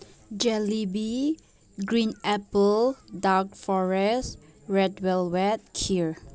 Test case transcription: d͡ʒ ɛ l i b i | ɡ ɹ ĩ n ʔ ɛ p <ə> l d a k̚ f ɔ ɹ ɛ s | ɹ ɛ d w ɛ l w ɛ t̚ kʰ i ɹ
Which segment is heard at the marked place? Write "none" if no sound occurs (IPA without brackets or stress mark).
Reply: ə